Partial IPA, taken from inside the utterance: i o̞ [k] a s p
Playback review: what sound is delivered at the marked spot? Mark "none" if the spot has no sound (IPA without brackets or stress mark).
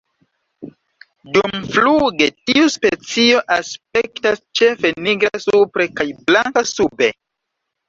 ʔ